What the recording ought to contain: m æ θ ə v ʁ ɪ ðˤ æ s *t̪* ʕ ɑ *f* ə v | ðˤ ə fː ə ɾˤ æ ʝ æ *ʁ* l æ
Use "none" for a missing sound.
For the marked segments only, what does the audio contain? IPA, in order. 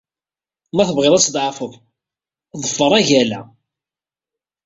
d̪, f, none

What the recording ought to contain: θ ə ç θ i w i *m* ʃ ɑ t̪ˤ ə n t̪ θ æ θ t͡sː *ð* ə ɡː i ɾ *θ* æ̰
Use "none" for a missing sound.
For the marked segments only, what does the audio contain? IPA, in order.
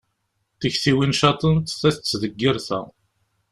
n, ð, θ

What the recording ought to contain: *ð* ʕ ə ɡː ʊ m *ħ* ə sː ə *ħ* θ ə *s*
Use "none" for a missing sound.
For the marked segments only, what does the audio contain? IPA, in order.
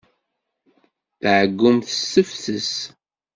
θ, θ, f, s

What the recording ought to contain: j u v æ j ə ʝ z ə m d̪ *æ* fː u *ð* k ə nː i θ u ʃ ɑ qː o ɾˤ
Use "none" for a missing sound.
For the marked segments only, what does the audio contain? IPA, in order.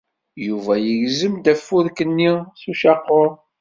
æ, ð

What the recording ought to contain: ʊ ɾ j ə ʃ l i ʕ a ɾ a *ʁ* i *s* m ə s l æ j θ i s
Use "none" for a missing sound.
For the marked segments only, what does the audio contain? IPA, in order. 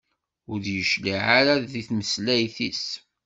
ð, θ

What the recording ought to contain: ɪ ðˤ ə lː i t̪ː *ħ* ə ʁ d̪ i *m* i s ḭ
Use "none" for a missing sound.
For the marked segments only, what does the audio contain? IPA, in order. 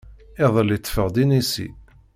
f, n

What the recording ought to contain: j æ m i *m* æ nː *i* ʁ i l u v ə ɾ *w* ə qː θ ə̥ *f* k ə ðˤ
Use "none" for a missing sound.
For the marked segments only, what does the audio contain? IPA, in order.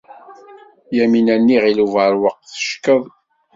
n, i, w, ʃ

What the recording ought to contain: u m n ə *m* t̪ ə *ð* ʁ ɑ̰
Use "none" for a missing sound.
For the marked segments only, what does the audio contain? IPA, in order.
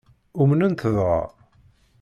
n, ð

